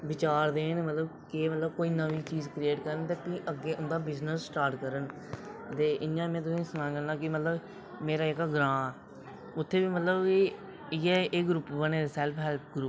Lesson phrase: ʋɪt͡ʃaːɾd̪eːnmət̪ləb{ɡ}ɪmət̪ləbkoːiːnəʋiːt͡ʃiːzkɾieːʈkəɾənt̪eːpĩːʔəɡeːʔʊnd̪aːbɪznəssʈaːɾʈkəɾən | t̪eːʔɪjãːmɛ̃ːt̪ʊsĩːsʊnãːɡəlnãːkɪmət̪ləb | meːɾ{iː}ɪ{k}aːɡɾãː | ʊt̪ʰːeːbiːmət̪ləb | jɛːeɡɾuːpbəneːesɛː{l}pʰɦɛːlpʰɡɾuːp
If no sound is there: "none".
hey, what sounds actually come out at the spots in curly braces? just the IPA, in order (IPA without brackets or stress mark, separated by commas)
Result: k, aː, k, l